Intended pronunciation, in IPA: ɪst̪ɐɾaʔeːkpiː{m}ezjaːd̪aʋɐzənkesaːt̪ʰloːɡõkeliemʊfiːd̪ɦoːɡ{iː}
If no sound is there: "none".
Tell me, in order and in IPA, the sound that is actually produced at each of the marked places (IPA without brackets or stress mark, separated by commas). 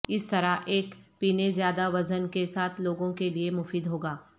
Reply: n, aː